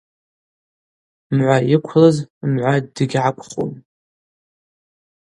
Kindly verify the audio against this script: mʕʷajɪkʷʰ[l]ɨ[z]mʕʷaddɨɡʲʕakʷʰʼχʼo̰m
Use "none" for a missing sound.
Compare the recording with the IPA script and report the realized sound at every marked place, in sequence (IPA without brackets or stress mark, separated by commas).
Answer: l, z